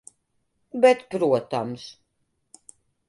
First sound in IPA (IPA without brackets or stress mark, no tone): b